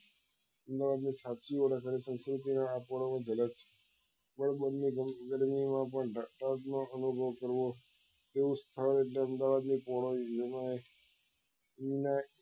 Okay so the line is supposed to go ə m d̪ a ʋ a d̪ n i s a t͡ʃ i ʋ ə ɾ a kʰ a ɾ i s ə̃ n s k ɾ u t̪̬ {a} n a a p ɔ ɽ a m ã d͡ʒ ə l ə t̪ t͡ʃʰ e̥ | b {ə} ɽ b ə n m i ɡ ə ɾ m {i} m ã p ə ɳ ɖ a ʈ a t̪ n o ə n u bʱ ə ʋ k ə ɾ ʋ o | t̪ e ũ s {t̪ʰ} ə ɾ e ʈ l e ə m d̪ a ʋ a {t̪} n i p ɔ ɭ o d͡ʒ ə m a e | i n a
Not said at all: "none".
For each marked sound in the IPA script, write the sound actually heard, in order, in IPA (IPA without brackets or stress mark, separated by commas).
i, ə, i, t̪ʰ, d̪